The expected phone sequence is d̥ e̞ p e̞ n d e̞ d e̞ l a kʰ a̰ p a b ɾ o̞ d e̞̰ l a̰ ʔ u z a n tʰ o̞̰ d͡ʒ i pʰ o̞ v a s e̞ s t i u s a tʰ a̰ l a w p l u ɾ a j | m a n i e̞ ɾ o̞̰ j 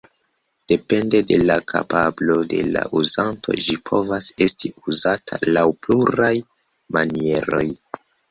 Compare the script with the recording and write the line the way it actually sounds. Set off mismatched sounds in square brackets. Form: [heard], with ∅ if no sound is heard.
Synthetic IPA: d̥ e̞ p e̞ n d e̞ d e̞ l a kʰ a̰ p a b [l] o̞ d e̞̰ l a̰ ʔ u z a n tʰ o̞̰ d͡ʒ i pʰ o̞ v a s e̞ s t i u [z] a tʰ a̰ l a w p l u ɾ a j | m a n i e̞ ɾ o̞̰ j